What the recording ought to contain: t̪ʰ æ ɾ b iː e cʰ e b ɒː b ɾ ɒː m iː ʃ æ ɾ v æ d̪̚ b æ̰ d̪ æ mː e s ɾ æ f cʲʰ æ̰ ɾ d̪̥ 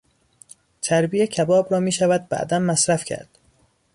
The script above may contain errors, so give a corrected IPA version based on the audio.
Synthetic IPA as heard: t̪ʰ æ ɾ b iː e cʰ æ b ɒː b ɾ ɒː m iː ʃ æ v æ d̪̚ b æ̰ d̪ æ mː æ s ɾ æ f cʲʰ æ̰ ɾ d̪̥